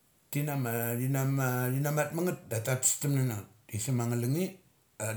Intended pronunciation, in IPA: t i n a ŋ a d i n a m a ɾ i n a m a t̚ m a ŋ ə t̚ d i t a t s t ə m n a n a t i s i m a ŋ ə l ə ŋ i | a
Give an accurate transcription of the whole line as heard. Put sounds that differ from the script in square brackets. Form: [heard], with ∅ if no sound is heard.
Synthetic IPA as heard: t i n a [m] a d i n a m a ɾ i n a m a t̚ m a ŋ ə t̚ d [a] t a t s t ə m n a n a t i s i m a ŋ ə l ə ŋ i | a